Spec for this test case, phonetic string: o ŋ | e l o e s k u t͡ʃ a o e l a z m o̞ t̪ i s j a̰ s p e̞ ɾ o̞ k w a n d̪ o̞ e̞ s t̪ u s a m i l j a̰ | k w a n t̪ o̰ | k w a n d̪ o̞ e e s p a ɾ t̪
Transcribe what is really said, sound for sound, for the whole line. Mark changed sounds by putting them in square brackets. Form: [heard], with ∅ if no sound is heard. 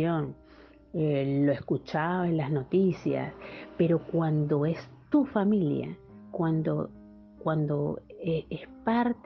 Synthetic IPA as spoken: o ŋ | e l o e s k u t͡ʃ a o e l a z [n] o̞ t̪ i s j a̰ s p e̞ ɾ o̞ k w a n d̪ o̞ e̞ s t̪ u [f] a m i l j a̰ | k w a n [d̪] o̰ | k w a n d̪ o̞ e e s p a ɾ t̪